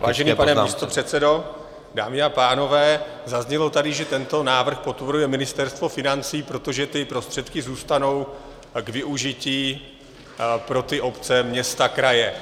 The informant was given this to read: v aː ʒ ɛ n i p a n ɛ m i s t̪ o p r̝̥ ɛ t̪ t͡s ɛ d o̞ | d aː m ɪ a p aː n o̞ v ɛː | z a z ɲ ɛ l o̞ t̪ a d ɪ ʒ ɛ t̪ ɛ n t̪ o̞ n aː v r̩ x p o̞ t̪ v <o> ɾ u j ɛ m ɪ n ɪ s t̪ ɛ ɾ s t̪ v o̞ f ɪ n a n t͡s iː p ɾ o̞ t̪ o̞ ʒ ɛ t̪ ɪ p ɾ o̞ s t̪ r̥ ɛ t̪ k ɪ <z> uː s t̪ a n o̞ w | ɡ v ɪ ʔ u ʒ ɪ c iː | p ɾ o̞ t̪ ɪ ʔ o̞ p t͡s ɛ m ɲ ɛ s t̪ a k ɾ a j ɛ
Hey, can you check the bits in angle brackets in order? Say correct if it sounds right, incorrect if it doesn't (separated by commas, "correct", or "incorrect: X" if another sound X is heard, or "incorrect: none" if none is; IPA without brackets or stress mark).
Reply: correct, correct